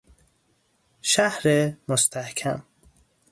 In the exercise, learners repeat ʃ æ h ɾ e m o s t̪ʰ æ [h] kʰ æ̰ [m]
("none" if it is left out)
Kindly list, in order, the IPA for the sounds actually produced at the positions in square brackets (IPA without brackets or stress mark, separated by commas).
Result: h, m